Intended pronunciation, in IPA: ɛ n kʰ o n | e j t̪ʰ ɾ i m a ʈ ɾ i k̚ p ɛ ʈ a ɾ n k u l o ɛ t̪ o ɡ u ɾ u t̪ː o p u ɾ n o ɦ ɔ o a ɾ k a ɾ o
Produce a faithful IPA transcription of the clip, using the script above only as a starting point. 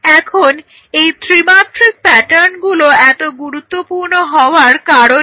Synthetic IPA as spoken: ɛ kʰ o n | e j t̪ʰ ɾ i m a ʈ ɾ i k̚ p ɛ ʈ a ɾ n ɡ u l o ɛ t̪ o ɡ u ɾ u t̪ː o p u ɾ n o ɦ ɔ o a ɾ k a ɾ o

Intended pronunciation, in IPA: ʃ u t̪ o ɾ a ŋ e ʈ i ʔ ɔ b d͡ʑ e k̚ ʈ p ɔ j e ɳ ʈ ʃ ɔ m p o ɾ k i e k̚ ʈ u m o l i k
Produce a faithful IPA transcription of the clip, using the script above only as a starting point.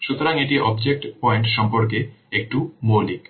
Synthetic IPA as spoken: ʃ u t̪ o ɾ a ŋ e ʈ i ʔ ɔ b d͡ʑ e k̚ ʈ p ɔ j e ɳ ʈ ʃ ɔ m p o ɾ k e e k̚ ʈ u m o l i k

